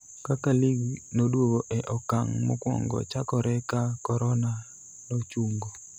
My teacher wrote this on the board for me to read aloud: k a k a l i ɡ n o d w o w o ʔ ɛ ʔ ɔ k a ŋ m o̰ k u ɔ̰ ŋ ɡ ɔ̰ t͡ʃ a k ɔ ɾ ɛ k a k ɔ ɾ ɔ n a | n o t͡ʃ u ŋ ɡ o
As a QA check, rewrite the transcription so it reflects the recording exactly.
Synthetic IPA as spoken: k a k a l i ɡ n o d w o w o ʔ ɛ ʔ ɔ k a ŋ m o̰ k w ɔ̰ ŋ ɡ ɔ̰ t͡ʃ a k ɔ ɾ ɛ k a k ɔ ɾ ɔ n a | n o t͡ʃ u ŋ ɡ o

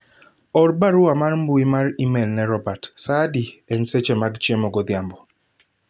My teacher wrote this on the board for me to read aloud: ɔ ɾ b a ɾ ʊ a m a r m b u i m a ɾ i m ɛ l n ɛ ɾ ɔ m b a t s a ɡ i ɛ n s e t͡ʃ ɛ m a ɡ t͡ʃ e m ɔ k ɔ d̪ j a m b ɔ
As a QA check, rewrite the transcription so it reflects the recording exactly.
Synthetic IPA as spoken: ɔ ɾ b a ɾ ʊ a m a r m b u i m a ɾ i m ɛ l n ɛ ɾ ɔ b a t s a d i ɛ n s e t͡ʃ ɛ m a ɡ t͡ʃ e m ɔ ɡ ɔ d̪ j a m b ɔ

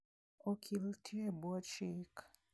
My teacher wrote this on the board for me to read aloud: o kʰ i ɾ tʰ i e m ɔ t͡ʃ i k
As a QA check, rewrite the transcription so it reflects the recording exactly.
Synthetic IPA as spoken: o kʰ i l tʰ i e b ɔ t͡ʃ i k

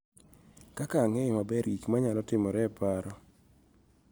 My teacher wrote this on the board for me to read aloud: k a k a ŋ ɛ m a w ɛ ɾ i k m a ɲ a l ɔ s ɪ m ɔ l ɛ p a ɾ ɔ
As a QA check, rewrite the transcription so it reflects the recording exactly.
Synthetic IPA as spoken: k a k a ŋ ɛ m a b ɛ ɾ i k m a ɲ a l ɔ t ɪ m ɔ ɾ ɛ p a ɾ ɔ

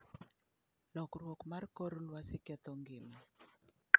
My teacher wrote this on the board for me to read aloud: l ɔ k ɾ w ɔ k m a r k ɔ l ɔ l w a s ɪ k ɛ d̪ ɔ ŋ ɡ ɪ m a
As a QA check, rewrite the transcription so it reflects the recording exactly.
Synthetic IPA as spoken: l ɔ k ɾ w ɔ k m a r k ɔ ɾ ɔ l w a s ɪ k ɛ t̪ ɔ ŋ ɡ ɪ m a

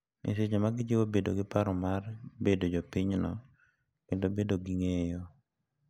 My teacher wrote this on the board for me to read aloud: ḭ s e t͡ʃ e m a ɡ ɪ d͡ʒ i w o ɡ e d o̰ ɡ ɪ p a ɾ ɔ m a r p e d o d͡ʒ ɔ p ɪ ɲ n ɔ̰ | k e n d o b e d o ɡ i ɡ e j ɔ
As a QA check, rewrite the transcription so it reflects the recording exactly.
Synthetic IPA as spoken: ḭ s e t͡ʃ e m a ɡ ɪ d͡ʒ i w o b e d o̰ ɡ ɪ p a ɾ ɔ m a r b e d o d͡ʒ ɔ p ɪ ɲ n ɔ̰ | k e n d o b e d o ɡ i ŋ e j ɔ

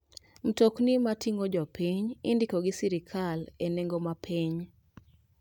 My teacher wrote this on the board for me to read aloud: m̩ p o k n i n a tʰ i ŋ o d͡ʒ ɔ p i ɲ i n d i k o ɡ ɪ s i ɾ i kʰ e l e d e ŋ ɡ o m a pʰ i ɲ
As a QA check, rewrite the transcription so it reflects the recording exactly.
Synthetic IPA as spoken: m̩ t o k n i m a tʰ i ŋ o d͡ʒ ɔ p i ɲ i n d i k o ɡ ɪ s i ɾ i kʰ a l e n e ŋ ɡ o m a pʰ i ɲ

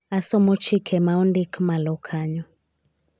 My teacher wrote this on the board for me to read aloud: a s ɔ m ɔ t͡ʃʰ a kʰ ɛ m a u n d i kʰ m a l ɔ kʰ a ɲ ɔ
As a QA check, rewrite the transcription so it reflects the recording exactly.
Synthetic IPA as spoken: a s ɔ m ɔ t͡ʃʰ i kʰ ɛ m a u n d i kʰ m a l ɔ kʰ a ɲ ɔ

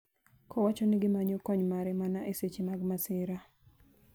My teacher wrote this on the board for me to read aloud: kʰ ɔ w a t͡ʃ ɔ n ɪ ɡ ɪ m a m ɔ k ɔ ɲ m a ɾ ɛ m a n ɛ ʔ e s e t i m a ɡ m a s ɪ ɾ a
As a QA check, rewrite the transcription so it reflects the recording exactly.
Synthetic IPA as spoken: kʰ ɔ w a t͡ʃ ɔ n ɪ ɡ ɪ m a ɲ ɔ k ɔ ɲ m a ɾ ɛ m a n a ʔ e s e t͡ʃ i m a ɡ m a s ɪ ɾ a

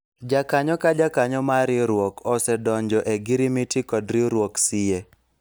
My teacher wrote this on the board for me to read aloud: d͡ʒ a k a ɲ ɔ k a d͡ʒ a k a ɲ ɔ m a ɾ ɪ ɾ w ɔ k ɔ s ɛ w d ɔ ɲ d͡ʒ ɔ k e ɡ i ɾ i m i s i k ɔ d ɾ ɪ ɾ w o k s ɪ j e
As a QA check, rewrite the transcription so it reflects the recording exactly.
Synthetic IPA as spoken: d͡ʒ a k a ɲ ɔ k a d͡ʒ a k a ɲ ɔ m a ɾ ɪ ɾ w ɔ k ɔ s ɛ d ɔ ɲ d͡ʒ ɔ ʔ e ɡ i ɾ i m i t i k ɔ d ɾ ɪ ɾ w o k s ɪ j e

